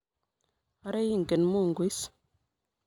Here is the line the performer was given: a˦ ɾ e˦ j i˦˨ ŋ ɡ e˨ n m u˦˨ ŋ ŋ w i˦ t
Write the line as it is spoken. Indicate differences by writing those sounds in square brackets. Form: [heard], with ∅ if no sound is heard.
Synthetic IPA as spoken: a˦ ɾ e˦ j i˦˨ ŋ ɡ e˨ n m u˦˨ ŋ [ɡ] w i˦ [s]